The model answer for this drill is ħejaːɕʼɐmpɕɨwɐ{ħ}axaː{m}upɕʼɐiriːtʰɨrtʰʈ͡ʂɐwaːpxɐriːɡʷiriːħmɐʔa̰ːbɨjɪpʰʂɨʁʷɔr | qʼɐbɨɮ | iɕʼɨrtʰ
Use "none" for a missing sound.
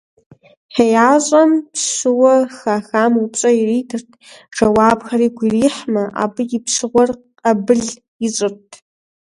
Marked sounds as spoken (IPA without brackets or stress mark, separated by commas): x, m